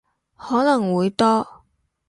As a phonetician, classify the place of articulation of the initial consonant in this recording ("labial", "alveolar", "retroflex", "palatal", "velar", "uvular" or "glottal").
glottal